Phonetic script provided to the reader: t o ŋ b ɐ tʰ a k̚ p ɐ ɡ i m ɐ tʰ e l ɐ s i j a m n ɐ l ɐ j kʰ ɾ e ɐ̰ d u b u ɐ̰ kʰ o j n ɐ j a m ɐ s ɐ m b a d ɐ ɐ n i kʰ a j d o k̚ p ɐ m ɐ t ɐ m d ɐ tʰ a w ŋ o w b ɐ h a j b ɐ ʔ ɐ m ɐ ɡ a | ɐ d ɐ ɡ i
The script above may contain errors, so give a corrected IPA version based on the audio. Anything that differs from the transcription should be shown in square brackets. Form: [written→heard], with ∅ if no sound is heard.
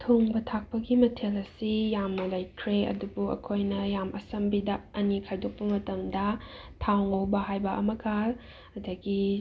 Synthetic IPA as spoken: [t→tʰ] o ŋ b ɐ tʰ a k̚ p ɐ ɡ i m ɐ tʰ e l ɐ s i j a m n ɐ l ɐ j kʰ ɾ e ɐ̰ d u b u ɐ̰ kʰ o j n ɐ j a m ɐ s ɐ m b [a→i] d ɐ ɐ n i kʰ a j d o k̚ p ɐ m ɐ t ɐ m d ɐ tʰ a w ŋ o w b ɐ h a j b ɐ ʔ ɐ m ɐ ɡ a | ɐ d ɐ ɡ i